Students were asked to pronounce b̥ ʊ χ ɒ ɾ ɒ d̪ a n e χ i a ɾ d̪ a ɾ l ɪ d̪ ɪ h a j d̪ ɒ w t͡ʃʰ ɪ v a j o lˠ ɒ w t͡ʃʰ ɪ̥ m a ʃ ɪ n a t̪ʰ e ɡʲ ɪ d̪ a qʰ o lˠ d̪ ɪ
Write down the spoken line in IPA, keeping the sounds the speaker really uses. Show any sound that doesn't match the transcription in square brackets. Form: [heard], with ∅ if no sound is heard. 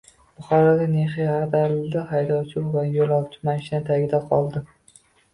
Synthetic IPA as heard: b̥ ʊ χ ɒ ɾ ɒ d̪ a n e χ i a ɾ d̪ a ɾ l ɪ d̪ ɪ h a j d̪ ɒ w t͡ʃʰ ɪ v a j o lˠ ɒ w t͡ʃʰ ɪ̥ m a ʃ ɪ n a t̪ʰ [a] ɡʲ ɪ d̪ a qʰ [ɒ] lˠ d̪ ɪ

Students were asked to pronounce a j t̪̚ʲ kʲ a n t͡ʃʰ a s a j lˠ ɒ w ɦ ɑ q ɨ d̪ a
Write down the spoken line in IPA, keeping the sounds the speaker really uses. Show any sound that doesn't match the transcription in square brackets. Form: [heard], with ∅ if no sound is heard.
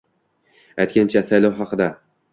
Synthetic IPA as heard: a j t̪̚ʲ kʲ a n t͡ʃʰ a s a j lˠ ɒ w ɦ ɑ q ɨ d̪ a

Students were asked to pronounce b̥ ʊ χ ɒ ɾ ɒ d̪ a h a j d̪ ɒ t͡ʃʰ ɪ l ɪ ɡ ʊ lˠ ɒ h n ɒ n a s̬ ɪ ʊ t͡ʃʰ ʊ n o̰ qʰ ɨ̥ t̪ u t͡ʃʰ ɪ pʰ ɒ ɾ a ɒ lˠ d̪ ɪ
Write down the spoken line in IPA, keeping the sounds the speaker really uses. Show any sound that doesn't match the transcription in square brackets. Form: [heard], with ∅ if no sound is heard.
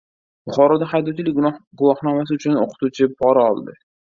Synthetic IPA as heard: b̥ ʊ χ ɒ ɾ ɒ d̪ a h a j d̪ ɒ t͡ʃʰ ɪ l ɪ ɡ ʊ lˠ ɒ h n ɒ [m] a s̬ ɪ ʊ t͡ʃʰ ʊ n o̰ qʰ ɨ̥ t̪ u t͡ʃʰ ɪ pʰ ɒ ɾ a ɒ lˠ d̪ ɪ

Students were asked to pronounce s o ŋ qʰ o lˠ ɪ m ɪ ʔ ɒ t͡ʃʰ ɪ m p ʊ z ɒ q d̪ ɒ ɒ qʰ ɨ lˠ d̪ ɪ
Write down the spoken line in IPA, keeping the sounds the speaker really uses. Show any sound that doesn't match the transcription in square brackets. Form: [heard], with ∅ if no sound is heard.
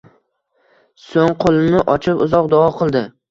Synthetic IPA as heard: s o ŋ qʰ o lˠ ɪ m ɪ ʔ ɒ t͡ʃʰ ɪ [∅] p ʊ z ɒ q d̪ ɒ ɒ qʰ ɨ lˠ d̪ ɪ

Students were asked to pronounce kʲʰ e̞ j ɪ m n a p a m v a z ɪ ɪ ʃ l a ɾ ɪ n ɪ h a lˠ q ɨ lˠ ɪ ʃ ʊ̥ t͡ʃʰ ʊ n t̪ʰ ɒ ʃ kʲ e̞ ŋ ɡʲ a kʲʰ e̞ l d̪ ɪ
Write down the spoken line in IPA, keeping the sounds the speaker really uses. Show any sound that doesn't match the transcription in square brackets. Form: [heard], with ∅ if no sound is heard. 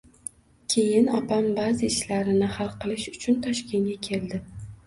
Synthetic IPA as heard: kʲʰ e̞ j ɪ [∅] n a p a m [b] a z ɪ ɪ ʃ l a ɾ ɪ n ɪ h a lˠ q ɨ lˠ ɪ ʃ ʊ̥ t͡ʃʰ ʊ n t̪ʰ ɒ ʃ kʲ e̞ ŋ ɡʲ a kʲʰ e̞ l d̪ ɪ

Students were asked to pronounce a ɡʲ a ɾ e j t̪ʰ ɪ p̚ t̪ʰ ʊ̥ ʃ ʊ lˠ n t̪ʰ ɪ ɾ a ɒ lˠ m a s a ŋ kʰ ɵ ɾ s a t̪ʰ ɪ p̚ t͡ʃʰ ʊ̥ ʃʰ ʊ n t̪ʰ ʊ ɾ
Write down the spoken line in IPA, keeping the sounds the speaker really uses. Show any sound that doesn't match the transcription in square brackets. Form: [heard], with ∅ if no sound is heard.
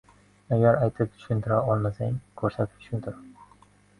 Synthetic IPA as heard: a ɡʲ a ɾ [a] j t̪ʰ ɪ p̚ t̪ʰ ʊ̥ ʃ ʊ [∅] n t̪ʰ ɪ ɾ a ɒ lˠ m a s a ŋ kʰ ɵ ɾ s a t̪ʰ ɪ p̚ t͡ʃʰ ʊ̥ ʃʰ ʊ n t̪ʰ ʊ ɾ

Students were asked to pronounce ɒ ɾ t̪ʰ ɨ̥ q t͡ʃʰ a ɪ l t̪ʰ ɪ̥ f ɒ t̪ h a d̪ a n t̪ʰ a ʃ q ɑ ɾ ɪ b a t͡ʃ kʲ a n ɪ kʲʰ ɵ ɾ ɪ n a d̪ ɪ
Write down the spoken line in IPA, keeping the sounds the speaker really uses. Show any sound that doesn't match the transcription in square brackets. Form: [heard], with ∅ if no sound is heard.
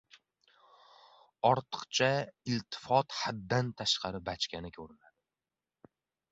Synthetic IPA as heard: ɒ ɾ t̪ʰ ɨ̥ q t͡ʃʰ a ɪ l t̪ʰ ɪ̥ f ɒ t̪ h a [d̪ː] a n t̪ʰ a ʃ q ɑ ɾ ɪ b a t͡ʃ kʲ a n ɪ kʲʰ ɵ ɾ ɪ n a d̪ ɪ

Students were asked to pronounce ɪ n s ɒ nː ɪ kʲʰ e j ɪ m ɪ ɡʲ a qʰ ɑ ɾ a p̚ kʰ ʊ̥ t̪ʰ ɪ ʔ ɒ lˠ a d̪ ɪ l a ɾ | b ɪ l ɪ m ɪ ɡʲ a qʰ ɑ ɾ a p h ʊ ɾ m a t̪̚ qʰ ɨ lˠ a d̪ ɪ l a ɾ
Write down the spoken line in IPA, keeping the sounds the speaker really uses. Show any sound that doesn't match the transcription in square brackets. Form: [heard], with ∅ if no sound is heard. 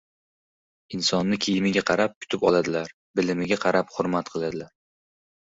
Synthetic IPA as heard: ɪ n s ɒ nː ɪ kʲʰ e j ɪ m ɪ ɡʲ a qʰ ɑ ɾ a p̚ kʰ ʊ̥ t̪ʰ ɪ [p] ɒ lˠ a d̪ ɪ l a ɾ | b ɪ l ɪ m ɪ ɡʲ a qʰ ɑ ɾ a p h ʊ ɾ m a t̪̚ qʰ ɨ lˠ a d̪ ɪ l a ɾ

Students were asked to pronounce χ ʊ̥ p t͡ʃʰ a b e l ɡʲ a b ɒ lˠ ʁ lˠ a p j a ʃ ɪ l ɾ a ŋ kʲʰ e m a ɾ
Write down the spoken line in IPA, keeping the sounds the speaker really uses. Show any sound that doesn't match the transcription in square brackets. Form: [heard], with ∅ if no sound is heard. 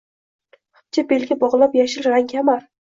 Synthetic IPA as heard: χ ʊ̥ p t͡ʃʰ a b e l ɡʲ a b ɒ [∅] ʁ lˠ a p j a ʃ ɪ l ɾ a ŋ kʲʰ [a] m a ɾ

